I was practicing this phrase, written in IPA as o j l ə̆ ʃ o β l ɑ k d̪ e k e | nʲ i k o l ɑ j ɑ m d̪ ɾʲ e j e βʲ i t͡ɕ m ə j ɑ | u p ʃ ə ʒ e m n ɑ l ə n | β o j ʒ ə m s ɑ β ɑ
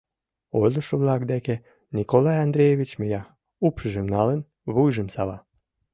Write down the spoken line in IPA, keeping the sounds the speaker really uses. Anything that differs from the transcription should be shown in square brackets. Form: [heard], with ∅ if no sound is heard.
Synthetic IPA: o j l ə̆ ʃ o β l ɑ k d̪ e k e | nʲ i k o l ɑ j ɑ [n] d̪ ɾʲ e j e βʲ i t͡ɕ m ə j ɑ | u p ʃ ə ʒ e m n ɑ l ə n | β [u] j ʒ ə m s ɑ β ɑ